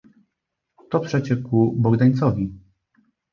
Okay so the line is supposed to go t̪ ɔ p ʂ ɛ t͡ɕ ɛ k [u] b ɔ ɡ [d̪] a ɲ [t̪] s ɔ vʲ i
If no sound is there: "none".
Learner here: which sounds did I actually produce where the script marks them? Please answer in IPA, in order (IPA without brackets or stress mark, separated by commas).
u, d̪, t̪